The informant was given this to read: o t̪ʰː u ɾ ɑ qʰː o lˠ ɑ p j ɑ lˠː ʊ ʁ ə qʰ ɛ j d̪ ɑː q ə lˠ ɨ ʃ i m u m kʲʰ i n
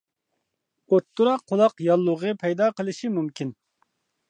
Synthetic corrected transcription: o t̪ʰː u ɾ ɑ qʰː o lˠ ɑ q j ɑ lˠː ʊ ʁ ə pʰ ɛ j d̪ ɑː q ə lˠ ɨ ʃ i m u m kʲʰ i n

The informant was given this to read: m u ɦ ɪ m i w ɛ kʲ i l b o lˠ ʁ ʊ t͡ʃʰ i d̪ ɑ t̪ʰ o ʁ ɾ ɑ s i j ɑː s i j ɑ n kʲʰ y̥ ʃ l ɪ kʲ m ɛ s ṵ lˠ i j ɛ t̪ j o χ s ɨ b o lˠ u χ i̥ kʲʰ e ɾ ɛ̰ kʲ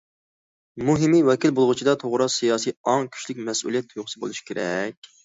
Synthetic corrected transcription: m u ɦ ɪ m i w ɛ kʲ i l b o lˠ ʁ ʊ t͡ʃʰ i d̪ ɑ t̪ʰ o ʁ ɾ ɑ s i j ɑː s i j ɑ ŋ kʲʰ y̥ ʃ l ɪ kʲ m ɛ s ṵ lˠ i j ɛ t̪ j o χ s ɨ b o lˠ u ʃ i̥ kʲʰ e ɾ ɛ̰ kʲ

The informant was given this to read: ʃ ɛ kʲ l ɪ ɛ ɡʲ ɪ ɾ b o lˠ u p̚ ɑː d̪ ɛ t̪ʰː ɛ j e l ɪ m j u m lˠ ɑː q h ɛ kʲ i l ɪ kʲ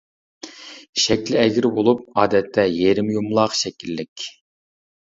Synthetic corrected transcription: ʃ ɛ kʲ l ɪ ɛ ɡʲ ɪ ɾ b o lˠ u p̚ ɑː d̪ ɛ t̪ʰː ɛ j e ɾ ɪ m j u m lˠ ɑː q ʃ ɛ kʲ i lː ɪ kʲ

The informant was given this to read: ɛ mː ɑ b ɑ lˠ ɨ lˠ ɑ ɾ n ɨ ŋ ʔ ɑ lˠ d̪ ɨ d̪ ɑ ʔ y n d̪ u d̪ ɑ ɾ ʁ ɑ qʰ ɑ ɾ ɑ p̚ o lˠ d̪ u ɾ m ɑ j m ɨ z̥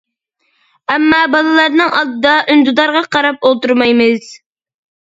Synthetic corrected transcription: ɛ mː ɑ b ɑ lˠ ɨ lˠ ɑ ɾ n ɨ ŋ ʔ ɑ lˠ d̪ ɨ d̪ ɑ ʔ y n d̪ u d̪ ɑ ɾ ʁ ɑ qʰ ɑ ɾ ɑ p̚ o lˠ t̪ u ɾ m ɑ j m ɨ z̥

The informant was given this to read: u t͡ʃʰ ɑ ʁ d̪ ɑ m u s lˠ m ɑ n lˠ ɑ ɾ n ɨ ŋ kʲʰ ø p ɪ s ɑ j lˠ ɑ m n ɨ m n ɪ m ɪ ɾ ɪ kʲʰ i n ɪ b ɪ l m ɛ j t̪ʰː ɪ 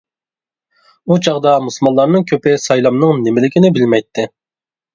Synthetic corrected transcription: u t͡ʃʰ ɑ ʁ d̪ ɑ m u s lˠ m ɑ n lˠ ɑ ɾ n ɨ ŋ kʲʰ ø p ɪ s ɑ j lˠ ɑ m n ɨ ŋ n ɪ m ɪ l ɪ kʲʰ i n ɪ b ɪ l m ɛ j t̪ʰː ɪ

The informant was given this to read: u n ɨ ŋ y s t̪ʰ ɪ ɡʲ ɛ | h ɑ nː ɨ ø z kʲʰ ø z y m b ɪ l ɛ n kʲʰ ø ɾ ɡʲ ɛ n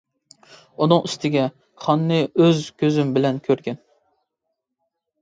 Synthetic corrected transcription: u n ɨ ŋ y s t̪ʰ ɪ ɡʲ ɛ | χ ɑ nː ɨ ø z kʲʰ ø z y m b ɪ l ɛ n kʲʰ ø ɾ ɡʲ ɛ n

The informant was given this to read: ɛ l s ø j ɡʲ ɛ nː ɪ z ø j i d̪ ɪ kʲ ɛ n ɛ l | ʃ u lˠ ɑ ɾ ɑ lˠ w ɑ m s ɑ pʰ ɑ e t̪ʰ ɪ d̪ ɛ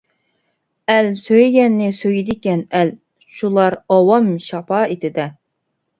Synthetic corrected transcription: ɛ l s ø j ɡʲ ɛ nː ɪ s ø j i d̪ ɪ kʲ ɛ n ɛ l | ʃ u lˠ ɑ ɾ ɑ w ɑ m ʃ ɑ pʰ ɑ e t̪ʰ ɪ d̪ ɛ

